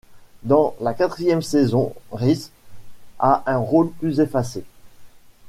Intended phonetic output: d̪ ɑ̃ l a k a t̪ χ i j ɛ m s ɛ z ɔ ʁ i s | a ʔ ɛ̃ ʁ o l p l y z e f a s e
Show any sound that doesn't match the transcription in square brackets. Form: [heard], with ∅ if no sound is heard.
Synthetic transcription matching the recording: d̪ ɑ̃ l a k a t̪ χ i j ɛ m s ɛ z [ɔ̃] ʁ i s | a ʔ ɛ̃ ʁ o l p l y z e f a s e